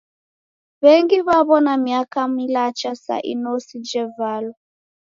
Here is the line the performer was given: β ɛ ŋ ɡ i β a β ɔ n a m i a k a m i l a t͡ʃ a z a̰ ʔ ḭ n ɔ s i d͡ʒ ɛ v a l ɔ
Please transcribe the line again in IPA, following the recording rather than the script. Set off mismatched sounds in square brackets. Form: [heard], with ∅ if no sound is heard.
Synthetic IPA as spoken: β ɛ ŋ ɡ i β a β ɔ n a m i a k a m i l a t͡ʃ a [s] a̰ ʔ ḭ n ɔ s i d͡ʒ ɛ v a l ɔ